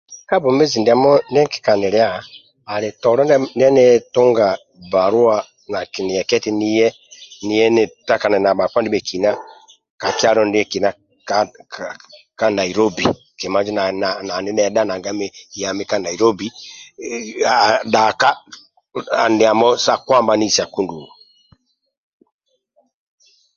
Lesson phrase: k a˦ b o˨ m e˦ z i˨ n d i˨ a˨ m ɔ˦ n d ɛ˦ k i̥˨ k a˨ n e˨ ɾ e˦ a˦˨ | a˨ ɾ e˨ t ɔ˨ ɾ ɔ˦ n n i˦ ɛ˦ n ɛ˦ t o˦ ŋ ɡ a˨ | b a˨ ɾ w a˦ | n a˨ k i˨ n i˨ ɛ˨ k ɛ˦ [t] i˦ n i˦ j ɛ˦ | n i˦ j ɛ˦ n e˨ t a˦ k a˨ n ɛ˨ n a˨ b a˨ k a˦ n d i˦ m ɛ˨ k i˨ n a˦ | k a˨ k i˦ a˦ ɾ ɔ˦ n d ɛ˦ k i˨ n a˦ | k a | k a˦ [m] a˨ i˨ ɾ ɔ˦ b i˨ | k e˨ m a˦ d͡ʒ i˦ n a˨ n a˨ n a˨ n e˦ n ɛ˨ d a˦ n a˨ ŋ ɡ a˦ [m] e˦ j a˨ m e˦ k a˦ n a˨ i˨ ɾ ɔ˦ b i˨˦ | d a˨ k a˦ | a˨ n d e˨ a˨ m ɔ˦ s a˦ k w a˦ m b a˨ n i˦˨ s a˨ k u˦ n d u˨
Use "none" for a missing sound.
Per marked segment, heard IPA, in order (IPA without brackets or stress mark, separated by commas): t, n, m